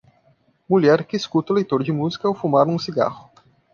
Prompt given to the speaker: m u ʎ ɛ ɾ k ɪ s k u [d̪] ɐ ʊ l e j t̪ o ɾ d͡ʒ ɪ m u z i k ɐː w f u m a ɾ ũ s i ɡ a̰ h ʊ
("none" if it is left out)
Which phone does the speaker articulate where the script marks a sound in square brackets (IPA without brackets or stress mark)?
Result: t̪